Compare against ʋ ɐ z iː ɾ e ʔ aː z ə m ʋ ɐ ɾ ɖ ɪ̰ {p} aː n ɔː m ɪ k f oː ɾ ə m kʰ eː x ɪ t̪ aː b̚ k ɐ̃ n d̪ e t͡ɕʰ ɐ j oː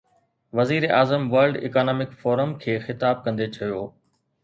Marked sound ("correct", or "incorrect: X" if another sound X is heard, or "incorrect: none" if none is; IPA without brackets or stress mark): incorrect: k